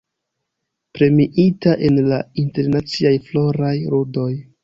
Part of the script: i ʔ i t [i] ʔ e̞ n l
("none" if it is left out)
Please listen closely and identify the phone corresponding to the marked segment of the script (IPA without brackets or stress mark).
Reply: a